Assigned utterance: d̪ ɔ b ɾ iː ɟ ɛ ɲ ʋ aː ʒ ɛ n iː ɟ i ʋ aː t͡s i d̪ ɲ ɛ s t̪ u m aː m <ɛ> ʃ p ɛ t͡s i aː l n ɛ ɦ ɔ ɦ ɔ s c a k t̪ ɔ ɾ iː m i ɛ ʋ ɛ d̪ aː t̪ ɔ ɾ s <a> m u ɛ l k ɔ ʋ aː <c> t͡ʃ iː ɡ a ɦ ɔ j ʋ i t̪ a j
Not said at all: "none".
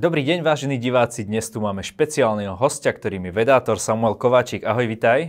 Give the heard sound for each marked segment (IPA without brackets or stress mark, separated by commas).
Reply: ɛ, a, none